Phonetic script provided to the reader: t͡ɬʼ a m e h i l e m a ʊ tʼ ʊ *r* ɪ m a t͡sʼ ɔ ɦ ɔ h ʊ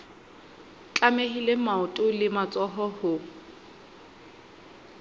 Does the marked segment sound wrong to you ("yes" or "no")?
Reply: yes